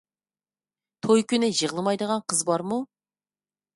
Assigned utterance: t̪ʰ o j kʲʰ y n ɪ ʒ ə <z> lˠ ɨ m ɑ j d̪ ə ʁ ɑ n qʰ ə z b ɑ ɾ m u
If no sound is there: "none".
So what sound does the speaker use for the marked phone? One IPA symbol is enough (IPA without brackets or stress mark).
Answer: ʁ